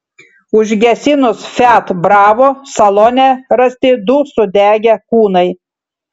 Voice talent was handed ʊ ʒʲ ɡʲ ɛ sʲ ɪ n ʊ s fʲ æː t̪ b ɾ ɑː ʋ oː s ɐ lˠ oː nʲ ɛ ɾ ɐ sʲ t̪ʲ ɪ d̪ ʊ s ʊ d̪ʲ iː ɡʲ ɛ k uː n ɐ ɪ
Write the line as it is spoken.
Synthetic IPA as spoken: ʊ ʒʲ ɡʲ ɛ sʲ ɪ n ʊ s fʲ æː t̪ b ɾ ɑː ʋ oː s ɐ lˠ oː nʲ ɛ ɾ ɐ sʲ t̪ʲ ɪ d̪ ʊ s ʊ d̪ʲ æː ɡʲ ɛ k uː n ɐ ɪ